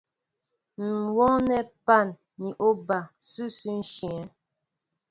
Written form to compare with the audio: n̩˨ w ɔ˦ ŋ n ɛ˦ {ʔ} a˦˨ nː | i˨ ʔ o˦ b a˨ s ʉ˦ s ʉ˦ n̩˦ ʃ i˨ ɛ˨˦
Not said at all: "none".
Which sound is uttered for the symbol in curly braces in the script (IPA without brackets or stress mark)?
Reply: p